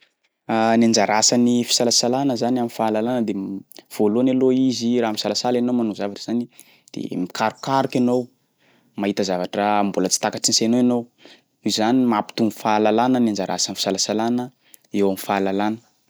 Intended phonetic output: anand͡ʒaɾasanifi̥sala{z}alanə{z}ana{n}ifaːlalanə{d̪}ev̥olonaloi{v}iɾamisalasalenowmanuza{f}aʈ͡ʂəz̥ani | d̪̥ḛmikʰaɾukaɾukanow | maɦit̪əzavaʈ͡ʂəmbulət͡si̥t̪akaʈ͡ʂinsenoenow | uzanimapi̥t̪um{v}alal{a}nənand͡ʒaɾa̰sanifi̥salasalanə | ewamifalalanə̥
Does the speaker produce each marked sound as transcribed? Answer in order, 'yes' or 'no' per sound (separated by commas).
no, yes, no, yes, no, no, no, yes